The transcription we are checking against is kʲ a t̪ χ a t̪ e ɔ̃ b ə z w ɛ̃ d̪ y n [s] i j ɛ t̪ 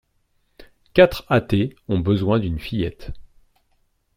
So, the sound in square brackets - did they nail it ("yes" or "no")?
no